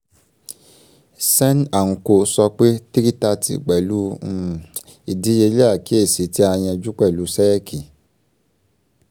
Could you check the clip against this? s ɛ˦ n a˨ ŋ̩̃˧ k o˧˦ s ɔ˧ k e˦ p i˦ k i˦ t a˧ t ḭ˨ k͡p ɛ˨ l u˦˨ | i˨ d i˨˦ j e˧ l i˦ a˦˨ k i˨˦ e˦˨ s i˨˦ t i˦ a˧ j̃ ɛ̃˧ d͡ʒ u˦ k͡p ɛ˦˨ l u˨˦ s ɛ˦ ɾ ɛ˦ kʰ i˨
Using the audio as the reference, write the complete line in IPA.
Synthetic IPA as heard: s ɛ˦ n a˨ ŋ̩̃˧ k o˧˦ s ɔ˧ k͡p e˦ t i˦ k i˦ t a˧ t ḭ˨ k͡p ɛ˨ l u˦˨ | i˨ d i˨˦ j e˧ l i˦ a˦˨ k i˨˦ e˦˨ s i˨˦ t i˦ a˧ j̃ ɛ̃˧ d͡ʒ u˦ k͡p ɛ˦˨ l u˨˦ s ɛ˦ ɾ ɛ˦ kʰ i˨